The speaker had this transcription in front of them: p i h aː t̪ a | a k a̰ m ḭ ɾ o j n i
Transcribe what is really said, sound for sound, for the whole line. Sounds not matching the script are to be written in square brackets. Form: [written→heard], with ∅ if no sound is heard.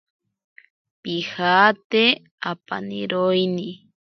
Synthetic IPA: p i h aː t̪ [a→e] | a [k→p] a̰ [m→n] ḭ ɾ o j n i